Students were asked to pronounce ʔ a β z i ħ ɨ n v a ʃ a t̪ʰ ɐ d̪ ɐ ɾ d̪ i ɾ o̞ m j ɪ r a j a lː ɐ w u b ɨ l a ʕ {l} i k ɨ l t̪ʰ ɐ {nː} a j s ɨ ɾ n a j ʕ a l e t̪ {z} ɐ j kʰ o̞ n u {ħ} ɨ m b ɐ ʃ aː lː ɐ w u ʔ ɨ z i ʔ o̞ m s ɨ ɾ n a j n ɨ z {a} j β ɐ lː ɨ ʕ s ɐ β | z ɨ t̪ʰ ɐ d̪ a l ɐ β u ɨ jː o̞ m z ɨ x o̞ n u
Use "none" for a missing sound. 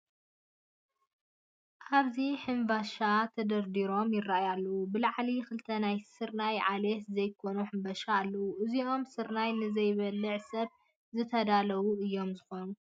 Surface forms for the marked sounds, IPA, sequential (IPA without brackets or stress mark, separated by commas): l, n, z, ħ, ɐ